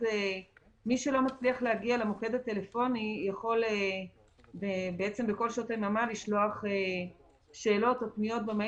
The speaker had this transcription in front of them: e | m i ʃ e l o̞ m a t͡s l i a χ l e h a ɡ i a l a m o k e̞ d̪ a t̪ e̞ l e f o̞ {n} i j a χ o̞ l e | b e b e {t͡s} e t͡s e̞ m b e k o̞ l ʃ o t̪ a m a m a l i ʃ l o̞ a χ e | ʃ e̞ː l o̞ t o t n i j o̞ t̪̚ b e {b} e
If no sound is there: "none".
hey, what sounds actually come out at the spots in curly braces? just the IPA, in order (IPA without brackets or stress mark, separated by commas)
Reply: n, none, m